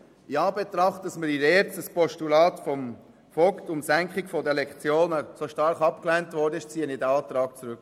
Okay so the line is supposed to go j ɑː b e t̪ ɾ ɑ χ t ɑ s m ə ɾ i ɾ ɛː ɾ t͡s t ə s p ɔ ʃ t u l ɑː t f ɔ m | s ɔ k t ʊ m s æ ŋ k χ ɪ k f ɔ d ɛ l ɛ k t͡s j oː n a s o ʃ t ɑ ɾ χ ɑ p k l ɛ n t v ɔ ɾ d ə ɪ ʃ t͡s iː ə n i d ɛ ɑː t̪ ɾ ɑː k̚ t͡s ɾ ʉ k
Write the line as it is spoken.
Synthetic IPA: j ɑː b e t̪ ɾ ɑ χ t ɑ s m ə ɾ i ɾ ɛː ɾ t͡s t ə s p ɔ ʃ t u l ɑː t f ɔ m | f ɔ k t ʊ m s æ ŋ k χ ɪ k f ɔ d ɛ l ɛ k t͡s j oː n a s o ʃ t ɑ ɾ χ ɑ p k l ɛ n t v ɔ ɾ d ə ɪ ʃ t͡s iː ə n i d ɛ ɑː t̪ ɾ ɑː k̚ t͡s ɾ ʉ k